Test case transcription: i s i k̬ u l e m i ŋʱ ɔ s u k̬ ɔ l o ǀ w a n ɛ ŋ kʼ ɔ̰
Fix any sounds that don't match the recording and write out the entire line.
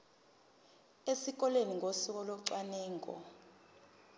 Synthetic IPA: e s i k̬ ɔ l e n i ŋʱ o s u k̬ ɔ l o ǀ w a n ɛː ŋ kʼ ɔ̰